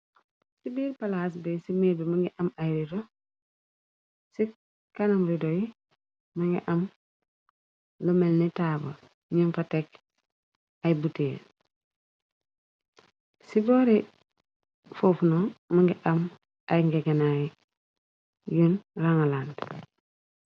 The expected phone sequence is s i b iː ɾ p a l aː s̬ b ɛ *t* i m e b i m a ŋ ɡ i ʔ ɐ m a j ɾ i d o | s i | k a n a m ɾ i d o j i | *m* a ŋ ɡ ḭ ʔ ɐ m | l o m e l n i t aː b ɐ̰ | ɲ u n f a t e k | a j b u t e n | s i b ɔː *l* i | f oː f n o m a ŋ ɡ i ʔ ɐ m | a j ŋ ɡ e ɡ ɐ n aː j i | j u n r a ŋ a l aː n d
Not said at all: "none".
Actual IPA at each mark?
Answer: s, m, ɾ

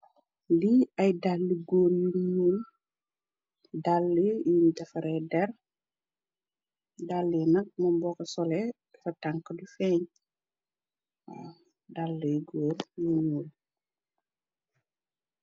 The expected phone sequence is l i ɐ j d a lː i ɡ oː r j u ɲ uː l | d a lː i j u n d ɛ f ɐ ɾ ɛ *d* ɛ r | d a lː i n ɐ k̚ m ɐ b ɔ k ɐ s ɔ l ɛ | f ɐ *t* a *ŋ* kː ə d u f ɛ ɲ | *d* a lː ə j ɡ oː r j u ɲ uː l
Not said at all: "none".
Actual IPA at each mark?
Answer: d, t, ŋ, d

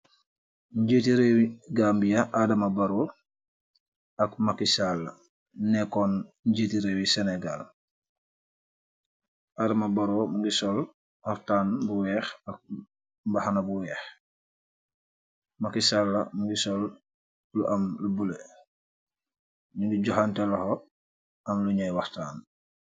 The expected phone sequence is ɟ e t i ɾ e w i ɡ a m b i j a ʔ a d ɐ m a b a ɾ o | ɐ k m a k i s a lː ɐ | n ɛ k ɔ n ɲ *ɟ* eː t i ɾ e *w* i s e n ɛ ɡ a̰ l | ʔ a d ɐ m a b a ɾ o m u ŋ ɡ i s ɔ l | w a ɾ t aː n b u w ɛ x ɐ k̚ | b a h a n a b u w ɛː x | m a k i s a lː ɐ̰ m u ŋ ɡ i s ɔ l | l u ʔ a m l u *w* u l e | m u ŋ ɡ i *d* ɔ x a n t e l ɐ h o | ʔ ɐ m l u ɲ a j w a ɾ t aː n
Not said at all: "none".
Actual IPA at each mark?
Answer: ɟ, w, b, ɟ

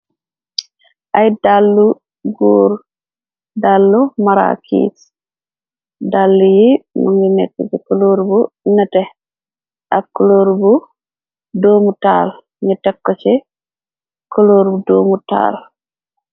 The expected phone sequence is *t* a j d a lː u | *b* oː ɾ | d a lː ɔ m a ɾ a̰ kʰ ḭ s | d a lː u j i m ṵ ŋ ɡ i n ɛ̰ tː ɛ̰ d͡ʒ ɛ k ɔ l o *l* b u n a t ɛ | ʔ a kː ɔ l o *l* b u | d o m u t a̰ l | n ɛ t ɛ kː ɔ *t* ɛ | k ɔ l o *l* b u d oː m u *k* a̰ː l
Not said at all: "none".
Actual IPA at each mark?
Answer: ʔ, ɡ, ɾ, ɾ, t͡ʃ, ɾ, t

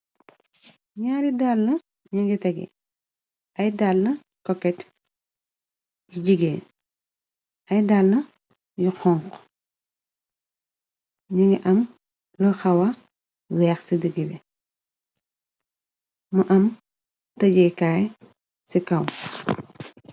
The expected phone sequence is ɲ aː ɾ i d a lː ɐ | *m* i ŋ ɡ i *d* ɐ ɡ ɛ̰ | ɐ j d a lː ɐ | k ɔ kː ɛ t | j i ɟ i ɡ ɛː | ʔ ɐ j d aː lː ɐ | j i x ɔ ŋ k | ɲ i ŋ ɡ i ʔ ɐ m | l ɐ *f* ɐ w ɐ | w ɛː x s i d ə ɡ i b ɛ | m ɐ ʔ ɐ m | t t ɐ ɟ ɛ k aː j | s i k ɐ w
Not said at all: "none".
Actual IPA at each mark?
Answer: ɲ, t, x

